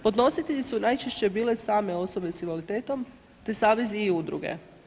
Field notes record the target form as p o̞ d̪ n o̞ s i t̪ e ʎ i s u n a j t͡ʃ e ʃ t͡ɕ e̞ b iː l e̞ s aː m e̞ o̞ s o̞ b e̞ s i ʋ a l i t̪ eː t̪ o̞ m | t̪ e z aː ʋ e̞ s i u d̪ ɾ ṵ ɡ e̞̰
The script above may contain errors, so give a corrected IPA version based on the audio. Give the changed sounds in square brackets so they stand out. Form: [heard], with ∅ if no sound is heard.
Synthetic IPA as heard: p o̞ d̪ n o̞ s i t̪ e ʎ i s u n a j t͡ʃ e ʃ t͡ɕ e̞ b iː l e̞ s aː m e̞ o̞ s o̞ b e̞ s i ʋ a l i t̪ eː t̪ o̞ m | t̪ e [s] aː ʋ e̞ [z] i u d̪ ɾ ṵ ɡ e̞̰